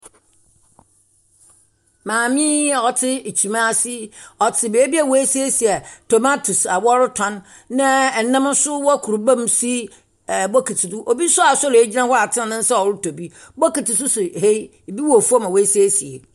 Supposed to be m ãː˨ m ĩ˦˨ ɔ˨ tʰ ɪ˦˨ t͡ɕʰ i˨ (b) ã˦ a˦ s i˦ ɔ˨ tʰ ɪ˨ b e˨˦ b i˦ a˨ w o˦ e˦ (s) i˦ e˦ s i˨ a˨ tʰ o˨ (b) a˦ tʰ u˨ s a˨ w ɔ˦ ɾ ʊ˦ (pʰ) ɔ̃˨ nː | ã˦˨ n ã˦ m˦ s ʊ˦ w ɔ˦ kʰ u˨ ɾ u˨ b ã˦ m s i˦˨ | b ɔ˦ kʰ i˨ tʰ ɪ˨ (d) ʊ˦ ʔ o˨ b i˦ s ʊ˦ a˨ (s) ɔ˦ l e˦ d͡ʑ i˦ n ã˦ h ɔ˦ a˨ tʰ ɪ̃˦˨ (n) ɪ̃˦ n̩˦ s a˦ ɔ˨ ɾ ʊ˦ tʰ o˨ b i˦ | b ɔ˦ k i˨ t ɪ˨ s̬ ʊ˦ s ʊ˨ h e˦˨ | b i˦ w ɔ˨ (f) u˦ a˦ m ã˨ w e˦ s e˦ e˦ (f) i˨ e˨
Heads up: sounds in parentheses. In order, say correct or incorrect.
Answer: incorrect: m, correct, incorrect: m, incorrect: tʰ, correct, correct, correct, correct, incorrect: s

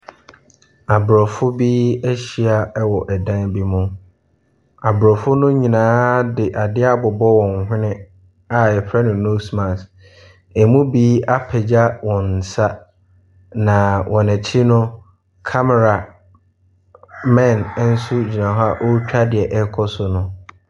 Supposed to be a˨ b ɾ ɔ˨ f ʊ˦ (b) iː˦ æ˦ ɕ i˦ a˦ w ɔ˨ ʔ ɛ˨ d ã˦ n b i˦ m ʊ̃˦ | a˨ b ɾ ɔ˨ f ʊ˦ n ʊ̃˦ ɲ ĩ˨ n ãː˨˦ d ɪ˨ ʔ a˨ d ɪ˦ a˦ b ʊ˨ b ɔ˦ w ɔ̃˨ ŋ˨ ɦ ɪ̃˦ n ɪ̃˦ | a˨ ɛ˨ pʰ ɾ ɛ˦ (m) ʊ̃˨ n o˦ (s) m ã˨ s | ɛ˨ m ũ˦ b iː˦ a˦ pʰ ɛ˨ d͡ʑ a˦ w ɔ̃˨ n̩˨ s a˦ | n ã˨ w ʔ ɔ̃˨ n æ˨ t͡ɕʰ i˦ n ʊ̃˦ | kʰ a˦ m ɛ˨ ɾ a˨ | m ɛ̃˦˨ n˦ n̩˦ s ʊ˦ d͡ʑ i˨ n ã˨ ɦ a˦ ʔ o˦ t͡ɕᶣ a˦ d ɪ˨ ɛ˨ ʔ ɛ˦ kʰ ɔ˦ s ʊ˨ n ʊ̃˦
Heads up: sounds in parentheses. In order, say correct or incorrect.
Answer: correct, incorrect: n, correct

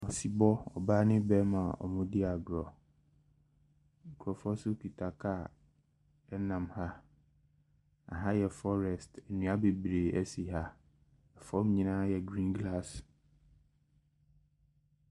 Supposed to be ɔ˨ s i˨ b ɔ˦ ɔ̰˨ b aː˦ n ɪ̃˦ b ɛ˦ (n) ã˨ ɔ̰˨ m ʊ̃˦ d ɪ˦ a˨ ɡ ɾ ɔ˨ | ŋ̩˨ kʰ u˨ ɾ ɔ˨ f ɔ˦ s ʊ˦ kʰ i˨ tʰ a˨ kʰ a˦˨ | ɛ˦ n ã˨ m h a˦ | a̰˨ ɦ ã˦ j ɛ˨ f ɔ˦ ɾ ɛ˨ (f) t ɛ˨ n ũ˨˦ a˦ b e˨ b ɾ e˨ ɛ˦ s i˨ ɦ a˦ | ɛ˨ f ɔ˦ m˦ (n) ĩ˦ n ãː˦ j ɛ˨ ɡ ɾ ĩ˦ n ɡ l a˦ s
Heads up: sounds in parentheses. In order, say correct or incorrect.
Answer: incorrect: m, incorrect: s, incorrect: ɲ

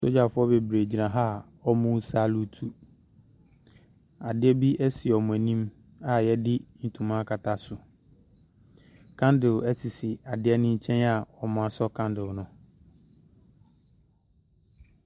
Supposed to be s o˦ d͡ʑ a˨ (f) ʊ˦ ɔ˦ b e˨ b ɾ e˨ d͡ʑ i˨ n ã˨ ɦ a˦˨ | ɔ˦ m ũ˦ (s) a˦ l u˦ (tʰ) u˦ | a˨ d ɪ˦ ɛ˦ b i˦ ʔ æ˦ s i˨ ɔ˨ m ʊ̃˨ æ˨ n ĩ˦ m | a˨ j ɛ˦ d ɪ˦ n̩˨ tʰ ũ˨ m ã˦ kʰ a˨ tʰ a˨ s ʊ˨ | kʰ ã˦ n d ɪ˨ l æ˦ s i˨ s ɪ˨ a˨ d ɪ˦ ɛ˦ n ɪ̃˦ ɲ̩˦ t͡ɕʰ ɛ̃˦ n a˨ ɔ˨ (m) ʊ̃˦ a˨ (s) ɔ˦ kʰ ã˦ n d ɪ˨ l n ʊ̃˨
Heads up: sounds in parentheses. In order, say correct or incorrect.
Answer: correct, correct, correct, correct, correct

